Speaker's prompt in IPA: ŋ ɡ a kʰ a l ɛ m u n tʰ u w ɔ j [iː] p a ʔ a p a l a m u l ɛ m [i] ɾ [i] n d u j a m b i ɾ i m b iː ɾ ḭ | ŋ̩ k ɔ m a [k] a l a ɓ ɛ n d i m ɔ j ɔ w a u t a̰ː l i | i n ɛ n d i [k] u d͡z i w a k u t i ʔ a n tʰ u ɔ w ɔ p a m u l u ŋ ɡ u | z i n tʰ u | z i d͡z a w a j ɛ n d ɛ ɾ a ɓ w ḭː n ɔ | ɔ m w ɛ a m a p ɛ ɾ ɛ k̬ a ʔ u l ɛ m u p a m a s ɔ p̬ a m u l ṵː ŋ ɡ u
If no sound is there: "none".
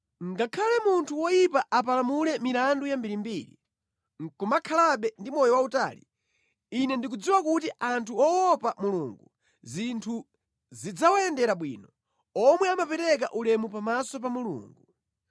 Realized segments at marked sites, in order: i, i, a, kʰ, k

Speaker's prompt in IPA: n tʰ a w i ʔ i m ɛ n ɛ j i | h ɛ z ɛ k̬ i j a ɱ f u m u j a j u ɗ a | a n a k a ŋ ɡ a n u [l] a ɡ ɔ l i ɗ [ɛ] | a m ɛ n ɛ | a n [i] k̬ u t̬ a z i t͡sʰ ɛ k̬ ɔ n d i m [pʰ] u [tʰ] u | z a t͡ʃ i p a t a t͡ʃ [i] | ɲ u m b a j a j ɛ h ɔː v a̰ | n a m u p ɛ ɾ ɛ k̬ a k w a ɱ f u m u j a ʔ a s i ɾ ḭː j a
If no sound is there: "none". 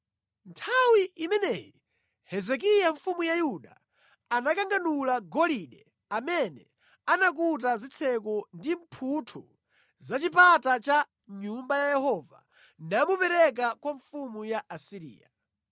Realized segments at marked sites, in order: l, ɛ, a, pʰ, tʰ, a

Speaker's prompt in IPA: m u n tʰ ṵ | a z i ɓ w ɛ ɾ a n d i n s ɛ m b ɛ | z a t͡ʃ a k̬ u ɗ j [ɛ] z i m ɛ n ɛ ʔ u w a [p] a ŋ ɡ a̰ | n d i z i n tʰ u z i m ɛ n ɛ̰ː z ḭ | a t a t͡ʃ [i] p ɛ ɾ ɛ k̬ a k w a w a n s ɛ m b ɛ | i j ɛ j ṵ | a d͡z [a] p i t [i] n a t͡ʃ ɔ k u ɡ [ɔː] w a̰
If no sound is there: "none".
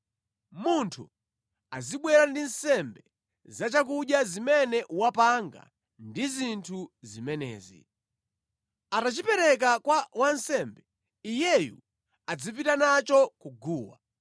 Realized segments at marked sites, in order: a, p, i, i, a, uː

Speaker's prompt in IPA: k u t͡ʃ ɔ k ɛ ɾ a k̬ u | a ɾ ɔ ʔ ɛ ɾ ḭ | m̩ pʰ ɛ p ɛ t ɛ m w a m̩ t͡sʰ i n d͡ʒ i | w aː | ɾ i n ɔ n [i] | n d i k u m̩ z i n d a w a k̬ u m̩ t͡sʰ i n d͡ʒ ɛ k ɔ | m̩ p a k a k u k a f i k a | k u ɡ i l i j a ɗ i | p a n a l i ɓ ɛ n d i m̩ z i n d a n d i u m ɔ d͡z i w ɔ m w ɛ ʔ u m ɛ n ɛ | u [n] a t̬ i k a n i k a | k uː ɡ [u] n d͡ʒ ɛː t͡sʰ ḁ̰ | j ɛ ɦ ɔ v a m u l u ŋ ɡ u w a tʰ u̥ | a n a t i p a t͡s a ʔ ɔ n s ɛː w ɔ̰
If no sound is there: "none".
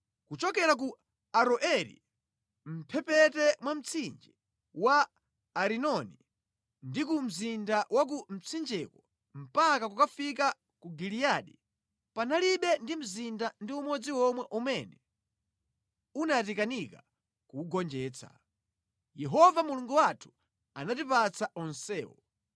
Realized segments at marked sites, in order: i, n, ɔ

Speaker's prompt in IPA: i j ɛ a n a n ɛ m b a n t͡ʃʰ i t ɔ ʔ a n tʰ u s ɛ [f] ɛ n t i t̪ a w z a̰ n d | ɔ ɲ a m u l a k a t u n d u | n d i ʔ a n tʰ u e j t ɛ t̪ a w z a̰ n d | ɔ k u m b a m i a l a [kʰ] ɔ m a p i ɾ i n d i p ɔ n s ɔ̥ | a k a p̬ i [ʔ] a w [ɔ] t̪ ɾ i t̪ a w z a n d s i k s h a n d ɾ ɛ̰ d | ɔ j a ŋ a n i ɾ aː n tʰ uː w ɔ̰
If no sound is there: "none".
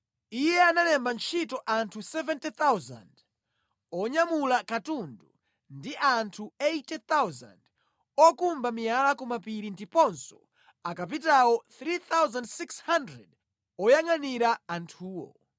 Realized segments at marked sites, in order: v, k, t, ɔ

